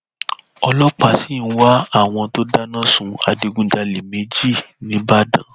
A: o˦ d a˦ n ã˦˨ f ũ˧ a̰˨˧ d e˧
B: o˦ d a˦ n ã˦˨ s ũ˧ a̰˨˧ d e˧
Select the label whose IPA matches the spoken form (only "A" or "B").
B